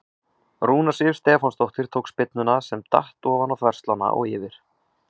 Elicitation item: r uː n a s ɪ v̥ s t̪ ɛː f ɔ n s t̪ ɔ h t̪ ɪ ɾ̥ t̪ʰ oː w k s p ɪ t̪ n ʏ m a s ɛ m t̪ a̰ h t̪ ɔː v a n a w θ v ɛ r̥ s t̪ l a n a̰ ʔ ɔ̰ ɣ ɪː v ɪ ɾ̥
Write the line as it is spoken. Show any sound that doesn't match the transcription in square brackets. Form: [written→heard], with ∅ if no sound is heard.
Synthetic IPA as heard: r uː n a s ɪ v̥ s t̪ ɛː f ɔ n s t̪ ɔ h t̪ ɪ ɾ̥ t̪ʰ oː w k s p ɪ t̪ n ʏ [m→n] a s ɛ m t̪ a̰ h t̪ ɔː v a n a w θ v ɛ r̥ s t̪ l a n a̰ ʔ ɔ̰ ɣ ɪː v ɪ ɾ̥